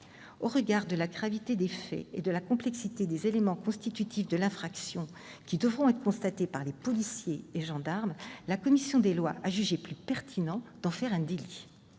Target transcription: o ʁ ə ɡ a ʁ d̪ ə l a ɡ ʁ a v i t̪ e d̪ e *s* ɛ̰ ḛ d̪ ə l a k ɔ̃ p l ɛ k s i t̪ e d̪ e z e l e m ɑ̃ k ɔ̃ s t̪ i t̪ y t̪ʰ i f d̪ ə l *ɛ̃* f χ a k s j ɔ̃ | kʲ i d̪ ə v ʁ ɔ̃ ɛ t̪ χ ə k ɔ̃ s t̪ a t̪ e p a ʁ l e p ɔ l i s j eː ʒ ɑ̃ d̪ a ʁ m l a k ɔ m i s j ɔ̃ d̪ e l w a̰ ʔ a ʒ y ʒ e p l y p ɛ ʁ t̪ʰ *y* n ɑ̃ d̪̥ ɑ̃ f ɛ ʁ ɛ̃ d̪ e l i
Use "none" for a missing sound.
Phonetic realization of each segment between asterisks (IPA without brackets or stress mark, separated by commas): f, ɛ̃, i